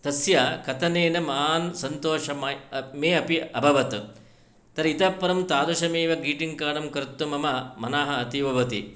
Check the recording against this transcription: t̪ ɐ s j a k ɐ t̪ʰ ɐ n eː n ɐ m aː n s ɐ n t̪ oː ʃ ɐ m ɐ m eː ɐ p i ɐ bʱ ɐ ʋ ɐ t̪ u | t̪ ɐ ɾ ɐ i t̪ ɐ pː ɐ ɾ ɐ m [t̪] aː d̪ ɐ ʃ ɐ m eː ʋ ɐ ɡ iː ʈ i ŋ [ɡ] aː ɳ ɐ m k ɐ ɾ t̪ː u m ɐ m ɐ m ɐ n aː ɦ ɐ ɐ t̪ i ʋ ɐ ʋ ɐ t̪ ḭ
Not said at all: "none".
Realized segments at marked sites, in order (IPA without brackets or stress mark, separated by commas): t̪, k